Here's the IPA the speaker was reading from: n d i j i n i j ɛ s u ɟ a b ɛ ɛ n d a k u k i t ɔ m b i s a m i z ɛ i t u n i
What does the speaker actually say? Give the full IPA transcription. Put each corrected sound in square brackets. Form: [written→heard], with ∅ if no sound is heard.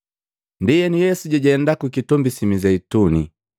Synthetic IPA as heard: n d i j [i→ɛ] n i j ɛ s u ɟ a [b→ɟ] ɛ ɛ n d a k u k i t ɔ m b i s [a→i] m i z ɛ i t u n i